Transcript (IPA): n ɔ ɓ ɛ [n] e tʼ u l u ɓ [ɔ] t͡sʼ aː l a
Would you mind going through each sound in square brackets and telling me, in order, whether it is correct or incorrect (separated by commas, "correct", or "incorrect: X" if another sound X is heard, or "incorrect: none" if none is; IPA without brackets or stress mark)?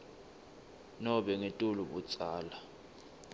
incorrect: ŋ, incorrect: u